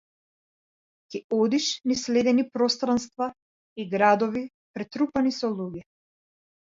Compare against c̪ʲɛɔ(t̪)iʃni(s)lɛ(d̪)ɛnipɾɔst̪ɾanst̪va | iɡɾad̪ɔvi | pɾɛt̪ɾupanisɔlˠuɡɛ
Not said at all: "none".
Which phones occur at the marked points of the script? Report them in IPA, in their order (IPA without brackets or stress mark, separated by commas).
d̪, s, d̪